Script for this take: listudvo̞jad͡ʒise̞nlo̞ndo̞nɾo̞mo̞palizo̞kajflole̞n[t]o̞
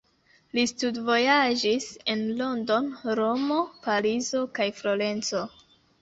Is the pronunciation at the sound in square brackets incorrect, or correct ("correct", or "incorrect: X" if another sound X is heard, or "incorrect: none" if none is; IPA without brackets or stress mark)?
incorrect: t͡s